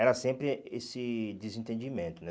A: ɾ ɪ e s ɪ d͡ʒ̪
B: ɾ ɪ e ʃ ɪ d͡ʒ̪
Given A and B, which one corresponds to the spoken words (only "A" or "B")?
A